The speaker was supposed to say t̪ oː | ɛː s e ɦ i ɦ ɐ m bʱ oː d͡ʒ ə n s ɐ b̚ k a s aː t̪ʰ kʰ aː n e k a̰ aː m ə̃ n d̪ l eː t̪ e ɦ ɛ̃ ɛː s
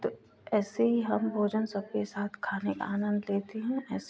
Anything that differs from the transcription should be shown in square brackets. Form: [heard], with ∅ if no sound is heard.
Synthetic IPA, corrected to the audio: t̪ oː | ɛː s e ɦ i ɦ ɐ m bʱ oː d͡ʒ ə n s ɐ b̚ k [e] s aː t̪ʰ kʰ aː n e k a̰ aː [n] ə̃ n d̪ l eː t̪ e ɦ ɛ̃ ɛː s